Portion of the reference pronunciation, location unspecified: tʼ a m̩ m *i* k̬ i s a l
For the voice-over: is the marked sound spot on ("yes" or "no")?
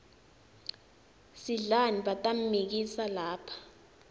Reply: yes